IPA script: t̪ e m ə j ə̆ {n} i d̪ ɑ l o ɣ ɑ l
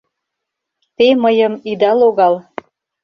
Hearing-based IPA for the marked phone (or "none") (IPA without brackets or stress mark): m